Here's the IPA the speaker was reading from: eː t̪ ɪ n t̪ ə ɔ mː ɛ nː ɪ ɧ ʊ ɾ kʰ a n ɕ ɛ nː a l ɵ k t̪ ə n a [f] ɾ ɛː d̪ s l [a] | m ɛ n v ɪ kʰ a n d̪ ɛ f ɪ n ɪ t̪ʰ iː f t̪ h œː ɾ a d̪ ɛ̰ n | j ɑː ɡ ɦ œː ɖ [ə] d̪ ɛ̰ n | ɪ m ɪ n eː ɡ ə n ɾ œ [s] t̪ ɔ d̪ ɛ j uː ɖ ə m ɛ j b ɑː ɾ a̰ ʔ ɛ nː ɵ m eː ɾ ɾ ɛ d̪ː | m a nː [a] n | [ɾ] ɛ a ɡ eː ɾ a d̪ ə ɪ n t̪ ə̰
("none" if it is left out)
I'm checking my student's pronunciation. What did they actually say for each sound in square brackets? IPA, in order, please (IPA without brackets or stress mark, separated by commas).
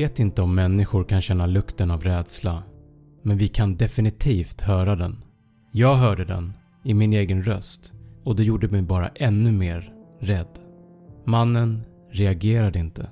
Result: v, a, ə, s, ə, ɾ